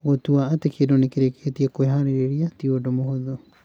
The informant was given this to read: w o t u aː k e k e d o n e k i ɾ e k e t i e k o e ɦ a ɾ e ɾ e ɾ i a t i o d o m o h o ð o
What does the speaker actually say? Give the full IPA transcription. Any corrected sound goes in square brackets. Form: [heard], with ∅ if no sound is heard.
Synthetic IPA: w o t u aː [t] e k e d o n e k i ɾ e k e t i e k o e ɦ a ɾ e ɾ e ɾ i a t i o d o m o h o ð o